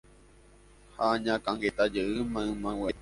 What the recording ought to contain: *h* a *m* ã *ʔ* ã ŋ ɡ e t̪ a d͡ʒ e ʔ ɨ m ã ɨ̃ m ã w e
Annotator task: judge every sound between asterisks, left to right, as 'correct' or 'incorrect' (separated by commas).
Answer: correct, incorrect, incorrect